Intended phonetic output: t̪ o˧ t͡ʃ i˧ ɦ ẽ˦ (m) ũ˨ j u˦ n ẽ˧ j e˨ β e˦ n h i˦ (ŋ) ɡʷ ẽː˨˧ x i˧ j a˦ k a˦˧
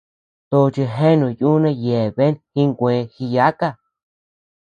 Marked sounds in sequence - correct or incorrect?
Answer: incorrect, correct

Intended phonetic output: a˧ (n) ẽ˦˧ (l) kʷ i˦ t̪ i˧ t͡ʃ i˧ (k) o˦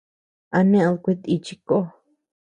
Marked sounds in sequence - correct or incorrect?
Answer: correct, correct, correct

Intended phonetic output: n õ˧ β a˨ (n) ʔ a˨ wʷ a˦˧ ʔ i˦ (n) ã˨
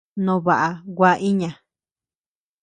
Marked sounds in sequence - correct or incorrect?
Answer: incorrect, incorrect

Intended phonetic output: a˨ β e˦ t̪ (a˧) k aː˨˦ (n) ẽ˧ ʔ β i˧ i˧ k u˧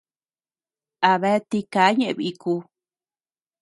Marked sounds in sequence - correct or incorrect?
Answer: incorrect, incorrect

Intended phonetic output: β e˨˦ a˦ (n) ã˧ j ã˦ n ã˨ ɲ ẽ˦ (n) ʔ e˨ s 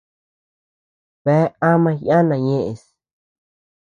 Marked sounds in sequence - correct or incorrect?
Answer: incorrect, incorrect

